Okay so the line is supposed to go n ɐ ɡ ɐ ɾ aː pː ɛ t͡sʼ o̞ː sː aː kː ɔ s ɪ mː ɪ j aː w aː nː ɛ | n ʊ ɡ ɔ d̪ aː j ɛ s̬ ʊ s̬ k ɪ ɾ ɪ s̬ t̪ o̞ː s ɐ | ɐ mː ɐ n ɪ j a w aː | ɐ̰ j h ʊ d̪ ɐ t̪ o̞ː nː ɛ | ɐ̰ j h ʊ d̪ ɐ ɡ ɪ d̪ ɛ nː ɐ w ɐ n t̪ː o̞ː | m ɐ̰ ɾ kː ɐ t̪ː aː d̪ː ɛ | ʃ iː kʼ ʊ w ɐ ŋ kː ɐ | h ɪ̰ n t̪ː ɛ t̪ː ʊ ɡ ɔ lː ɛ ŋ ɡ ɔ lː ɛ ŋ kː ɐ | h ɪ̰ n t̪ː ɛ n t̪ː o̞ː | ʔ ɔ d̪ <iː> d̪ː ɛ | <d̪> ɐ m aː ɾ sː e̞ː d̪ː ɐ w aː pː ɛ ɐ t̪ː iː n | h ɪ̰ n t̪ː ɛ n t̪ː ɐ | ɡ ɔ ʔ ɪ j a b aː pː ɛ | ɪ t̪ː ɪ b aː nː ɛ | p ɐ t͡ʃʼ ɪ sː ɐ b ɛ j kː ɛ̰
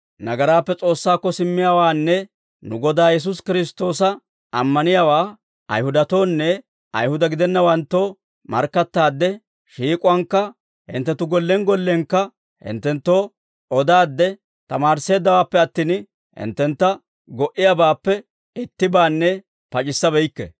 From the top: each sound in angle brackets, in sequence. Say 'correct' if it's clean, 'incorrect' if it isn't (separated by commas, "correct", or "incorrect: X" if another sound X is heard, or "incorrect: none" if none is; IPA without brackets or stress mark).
incorrect: aː, incorrect: t̪